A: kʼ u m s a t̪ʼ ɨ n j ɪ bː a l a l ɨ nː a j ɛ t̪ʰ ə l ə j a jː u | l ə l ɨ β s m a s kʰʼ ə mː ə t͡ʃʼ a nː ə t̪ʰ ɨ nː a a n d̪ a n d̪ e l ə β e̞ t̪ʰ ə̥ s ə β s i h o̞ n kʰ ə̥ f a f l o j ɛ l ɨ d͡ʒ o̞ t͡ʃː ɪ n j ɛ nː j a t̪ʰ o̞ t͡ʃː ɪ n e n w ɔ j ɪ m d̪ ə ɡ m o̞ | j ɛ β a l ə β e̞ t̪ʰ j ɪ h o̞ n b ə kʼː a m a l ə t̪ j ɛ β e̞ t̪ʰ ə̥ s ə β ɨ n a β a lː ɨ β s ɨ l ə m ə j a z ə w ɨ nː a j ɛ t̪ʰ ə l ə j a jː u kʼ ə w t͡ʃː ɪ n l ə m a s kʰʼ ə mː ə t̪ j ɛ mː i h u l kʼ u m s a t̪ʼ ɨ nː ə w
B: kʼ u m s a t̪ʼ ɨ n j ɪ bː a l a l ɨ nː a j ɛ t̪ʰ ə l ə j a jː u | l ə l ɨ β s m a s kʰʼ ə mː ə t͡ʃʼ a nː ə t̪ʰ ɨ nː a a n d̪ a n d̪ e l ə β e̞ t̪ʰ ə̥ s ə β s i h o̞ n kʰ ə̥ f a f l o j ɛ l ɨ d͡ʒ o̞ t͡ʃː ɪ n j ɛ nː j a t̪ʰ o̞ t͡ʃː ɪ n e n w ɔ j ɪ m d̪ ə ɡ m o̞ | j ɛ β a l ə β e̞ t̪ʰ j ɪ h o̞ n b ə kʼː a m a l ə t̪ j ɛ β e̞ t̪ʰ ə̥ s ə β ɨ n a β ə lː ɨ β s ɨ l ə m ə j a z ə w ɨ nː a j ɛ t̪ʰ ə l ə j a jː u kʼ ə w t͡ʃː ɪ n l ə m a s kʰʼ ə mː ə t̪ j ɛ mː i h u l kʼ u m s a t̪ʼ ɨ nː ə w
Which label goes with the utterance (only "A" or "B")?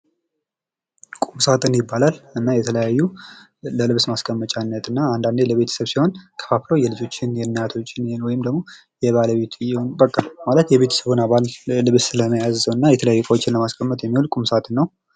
A